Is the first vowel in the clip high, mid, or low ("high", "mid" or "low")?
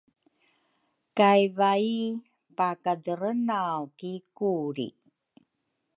low